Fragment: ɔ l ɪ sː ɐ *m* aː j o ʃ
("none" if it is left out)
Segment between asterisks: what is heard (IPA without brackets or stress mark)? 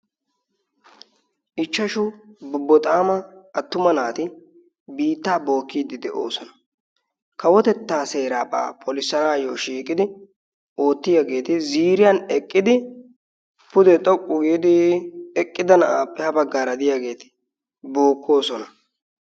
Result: n